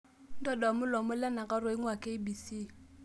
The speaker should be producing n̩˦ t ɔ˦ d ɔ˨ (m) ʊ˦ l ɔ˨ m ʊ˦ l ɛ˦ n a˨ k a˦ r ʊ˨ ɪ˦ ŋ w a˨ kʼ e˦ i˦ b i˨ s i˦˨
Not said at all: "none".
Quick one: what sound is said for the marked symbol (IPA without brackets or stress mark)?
m